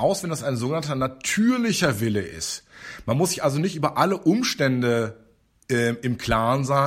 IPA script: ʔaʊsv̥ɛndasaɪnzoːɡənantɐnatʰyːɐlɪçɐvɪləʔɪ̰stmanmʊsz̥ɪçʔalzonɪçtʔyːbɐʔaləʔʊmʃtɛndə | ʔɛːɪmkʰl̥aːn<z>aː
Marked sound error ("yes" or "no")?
no